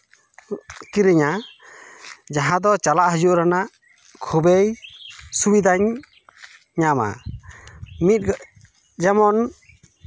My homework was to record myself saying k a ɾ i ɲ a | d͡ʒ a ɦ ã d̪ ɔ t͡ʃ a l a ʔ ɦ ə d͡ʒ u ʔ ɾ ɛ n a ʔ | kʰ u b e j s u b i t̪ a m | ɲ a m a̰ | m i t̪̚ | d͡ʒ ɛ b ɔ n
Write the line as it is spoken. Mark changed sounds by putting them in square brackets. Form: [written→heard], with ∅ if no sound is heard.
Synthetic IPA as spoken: k [a→i] ɾ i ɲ a | d͡ʒ a ɦ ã d̪ ɔ t͡ʃ a l a ʔ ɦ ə d͡ʒ u ʔ ɾ [ɛ→a] n a ʔ | kʰ u b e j s u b i [t̪→d̪] a [m→ɲ] | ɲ a m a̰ | m i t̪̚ | d͡ʒ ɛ [b→m] ɔ n